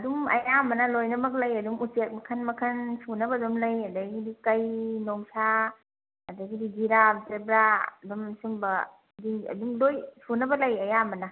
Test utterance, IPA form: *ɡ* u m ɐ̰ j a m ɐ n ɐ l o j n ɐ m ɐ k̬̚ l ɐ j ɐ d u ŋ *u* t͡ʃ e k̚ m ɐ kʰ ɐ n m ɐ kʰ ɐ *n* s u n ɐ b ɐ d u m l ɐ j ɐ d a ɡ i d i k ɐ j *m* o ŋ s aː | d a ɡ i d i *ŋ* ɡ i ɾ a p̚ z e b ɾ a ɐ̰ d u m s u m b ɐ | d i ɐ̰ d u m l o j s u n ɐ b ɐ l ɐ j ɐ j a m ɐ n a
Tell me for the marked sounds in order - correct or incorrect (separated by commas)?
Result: incorrect, correct, correct, incorrect, incorrect